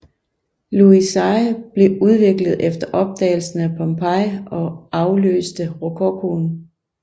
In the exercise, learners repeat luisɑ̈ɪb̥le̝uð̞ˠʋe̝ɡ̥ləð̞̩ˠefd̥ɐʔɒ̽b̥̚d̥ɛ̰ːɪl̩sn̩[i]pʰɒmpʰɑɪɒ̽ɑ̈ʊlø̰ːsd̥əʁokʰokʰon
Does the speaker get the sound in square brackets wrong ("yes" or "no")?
yes